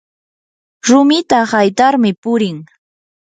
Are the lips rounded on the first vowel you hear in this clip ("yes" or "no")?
yes